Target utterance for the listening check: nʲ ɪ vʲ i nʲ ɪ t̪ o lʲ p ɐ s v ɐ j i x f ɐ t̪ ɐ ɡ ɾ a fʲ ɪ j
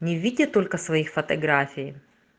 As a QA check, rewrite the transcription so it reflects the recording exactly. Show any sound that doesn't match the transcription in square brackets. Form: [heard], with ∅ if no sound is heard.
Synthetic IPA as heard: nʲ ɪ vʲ i [dʲ] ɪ t̪ o lʲ [k] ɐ s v ɐ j i x f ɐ t̪ ɐ ɡ ɾ a fʲ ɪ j